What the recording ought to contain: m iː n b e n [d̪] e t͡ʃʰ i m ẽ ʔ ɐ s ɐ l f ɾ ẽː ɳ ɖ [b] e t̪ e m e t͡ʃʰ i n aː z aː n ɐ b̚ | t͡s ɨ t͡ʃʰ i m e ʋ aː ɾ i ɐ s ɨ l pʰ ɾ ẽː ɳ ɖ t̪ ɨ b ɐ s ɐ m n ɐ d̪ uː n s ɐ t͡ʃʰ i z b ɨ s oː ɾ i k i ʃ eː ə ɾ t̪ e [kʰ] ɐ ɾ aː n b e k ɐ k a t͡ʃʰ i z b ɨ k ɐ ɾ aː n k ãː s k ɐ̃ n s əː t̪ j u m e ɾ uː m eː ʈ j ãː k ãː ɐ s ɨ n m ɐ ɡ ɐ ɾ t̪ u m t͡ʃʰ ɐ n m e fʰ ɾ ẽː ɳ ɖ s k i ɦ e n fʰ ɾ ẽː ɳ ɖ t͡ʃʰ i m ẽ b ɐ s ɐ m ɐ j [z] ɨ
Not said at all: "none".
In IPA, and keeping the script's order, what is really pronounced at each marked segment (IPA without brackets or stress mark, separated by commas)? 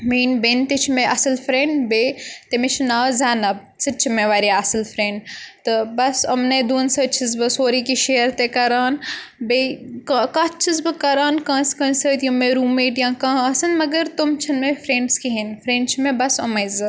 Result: t̪, b, k, z